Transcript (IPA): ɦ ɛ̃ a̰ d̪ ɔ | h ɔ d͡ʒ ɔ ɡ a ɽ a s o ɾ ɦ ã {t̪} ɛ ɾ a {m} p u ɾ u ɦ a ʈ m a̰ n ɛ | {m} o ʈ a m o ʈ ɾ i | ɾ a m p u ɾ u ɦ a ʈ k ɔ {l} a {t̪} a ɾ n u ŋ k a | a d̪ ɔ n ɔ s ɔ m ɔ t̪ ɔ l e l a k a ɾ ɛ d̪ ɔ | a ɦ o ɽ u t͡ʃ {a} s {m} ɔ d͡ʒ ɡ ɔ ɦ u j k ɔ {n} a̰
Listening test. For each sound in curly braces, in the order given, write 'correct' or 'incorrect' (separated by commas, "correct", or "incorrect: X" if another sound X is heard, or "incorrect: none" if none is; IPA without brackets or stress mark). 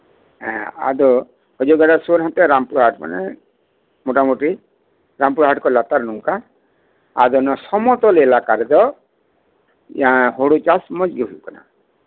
correct, correct, correct, correct, correct, correct, correct, correct